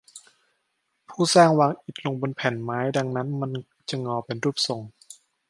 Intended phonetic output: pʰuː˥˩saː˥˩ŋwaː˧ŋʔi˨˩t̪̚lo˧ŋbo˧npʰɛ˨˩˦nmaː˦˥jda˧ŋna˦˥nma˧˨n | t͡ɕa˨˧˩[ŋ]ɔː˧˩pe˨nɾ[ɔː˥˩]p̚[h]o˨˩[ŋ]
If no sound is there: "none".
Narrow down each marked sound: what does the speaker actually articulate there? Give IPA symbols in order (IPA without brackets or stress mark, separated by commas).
ŋ, uː˥˩, s, ŋ